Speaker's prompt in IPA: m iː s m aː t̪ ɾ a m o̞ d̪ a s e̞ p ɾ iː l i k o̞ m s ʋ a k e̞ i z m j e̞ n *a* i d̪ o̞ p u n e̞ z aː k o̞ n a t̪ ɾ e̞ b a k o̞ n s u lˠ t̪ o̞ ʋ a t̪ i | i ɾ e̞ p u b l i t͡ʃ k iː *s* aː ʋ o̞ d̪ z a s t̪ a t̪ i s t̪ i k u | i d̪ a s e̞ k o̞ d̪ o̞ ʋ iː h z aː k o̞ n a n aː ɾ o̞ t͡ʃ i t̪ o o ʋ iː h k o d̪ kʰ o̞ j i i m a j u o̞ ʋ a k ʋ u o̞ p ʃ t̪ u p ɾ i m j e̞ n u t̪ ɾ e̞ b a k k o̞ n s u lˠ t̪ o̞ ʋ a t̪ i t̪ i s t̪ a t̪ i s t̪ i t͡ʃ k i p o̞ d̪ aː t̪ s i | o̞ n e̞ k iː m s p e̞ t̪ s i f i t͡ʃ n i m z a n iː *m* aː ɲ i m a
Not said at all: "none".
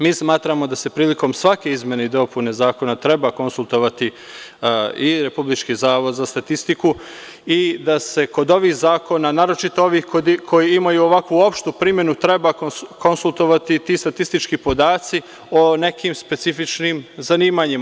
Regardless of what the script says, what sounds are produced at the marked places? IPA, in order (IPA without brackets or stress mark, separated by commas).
e, z, m